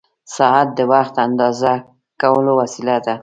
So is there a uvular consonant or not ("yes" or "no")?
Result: no